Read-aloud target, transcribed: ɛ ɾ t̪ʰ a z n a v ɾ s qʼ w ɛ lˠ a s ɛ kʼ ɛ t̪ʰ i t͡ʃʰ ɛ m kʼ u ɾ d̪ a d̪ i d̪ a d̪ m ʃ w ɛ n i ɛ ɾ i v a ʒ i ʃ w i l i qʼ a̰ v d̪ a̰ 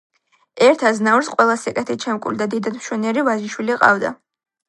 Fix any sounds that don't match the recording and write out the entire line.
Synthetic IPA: ɛ ɾ t̪ʰ a z n a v ɾ s qʼ w ɛ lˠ a s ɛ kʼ ɛ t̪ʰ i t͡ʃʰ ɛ m kʼ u l d̪ a d̪ i d̪ a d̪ m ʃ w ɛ n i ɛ ɾ i v a ʒ i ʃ w i l i qʼ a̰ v d̪ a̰